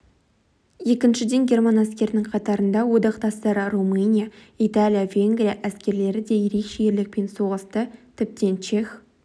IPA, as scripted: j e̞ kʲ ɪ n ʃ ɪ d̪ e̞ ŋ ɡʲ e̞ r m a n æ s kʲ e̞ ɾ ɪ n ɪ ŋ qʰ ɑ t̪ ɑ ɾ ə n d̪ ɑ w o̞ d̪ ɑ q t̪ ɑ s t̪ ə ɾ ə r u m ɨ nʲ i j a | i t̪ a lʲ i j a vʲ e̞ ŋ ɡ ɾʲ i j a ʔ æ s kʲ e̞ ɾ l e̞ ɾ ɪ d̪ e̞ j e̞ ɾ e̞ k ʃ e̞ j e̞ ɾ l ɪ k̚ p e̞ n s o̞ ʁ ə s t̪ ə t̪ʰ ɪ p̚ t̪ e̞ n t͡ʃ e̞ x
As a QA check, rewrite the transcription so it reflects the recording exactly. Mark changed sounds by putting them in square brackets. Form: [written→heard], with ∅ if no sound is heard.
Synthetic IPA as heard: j e̞ kʲ ɪ n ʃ ɪ d̪ e̞ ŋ ɡʲ e̞ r m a n æ s kʲ e̞ ɾ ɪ n ɪ ŋ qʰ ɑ t̪ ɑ ɾ ə n d̪ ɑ w o̞ d̪ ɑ q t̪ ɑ s t̪ [ə→ɑ] ɾ ə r u m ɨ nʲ i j a | i t̪ a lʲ i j a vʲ e̞ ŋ ɡ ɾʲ i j a ʔ æ s kʲ e̞ ɾ l e̞ ɾ ɪ d̪ e̞ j e̞ ɾ e̞ k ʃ e̞ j e̞ ɾ l ɪ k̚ p e̞ n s o̞ ʁ ə s t̪ ə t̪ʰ ɪ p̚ t̪ e̞ n t͡ʃ e̞ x